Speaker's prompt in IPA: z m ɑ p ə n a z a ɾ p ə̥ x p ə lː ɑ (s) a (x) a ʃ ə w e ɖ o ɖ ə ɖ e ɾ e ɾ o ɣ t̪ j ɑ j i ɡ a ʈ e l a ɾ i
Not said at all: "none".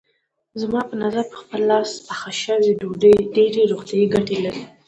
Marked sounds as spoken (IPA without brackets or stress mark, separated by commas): s, x